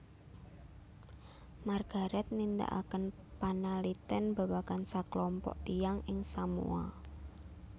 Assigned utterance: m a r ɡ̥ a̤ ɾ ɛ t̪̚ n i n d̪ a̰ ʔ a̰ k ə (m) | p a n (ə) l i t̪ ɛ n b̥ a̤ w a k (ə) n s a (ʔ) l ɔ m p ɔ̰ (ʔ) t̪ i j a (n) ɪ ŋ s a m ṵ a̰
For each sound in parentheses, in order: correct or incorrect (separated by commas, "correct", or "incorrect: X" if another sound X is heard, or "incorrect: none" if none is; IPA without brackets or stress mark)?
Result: incorrect: n, incorrect: a, incorrect: a, incorrect: k, correct, incorrect: ŋ